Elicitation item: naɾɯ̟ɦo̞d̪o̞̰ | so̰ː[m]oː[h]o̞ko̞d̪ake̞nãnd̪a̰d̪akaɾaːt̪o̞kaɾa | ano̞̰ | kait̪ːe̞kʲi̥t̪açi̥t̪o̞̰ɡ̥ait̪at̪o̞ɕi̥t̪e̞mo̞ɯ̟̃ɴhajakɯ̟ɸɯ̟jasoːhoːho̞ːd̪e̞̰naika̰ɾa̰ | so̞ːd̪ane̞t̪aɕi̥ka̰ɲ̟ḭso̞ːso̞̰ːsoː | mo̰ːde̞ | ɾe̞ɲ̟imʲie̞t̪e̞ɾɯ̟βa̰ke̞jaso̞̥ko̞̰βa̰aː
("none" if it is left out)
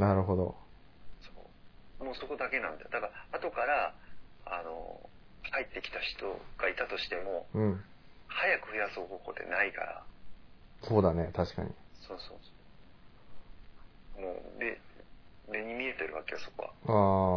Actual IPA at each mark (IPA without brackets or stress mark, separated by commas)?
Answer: m, s